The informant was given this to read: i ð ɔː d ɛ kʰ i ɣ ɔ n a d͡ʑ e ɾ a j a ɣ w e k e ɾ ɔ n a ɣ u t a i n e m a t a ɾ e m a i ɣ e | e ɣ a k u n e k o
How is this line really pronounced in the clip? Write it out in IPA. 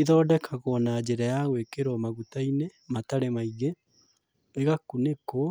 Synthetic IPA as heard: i ð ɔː d ɛ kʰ a ɣ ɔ n a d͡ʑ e ɾ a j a ɣ w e k e ɾ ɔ m a ɣ u t a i n e m a t a ɾ e m a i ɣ e | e ɣ a k u n e k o